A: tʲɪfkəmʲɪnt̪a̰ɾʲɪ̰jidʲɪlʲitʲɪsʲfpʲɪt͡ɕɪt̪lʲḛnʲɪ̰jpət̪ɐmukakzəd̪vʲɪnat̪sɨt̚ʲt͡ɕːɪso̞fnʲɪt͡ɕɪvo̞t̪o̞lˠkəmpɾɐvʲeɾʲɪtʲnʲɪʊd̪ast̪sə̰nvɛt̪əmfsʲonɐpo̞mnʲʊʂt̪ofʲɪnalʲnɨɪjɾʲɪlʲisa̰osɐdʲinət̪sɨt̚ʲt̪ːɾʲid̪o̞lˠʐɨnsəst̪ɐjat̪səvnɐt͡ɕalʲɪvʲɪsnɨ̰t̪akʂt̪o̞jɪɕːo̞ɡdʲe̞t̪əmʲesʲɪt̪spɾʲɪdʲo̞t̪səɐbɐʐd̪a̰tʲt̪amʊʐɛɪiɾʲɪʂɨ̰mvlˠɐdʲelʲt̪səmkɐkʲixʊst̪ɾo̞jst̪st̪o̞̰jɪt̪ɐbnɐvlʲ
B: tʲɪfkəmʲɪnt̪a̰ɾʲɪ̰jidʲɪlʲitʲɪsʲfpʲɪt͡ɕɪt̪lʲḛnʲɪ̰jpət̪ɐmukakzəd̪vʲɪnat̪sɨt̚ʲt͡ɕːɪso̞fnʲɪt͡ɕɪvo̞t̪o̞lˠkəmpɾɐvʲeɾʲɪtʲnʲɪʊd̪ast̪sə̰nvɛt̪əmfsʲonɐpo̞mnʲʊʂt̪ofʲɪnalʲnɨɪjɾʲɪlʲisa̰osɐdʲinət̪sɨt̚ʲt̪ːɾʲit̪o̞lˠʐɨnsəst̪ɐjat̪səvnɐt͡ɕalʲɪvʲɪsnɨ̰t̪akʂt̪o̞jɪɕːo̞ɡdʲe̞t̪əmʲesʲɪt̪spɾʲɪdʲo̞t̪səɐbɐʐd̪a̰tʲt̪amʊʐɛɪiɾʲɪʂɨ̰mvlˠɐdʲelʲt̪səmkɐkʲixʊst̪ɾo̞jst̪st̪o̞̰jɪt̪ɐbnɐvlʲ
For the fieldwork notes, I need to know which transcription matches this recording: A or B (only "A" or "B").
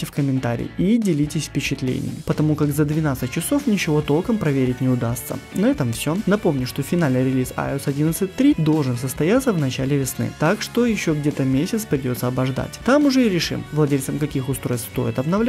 A